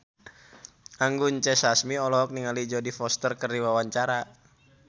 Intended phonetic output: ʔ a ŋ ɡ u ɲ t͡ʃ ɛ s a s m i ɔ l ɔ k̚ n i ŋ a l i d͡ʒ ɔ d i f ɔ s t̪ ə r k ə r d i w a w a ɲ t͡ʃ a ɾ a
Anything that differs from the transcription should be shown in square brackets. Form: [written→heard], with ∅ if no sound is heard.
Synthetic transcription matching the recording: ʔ a ŋ ɡ u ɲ t͡ʃ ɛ s a s m i ɔ l ɔ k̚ n i ŋ a l i d͡ʒ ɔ d i f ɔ s t̪ ə r k ə r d i w a w a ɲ t͡ʃ a ɾ a